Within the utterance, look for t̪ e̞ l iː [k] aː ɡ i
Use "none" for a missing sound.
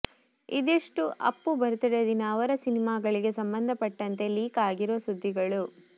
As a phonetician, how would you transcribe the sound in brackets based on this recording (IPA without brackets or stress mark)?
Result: k